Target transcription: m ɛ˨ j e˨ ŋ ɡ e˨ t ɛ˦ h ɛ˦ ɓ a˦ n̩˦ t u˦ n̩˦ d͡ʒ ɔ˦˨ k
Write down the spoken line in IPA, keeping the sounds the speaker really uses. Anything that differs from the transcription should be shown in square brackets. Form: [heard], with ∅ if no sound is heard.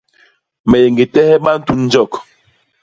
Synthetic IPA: m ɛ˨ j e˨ ŋ ɡ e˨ t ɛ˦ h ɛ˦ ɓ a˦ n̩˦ t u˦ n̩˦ d͡ʒ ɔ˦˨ k